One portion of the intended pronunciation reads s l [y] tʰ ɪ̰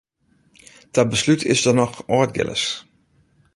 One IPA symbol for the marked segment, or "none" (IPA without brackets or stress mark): y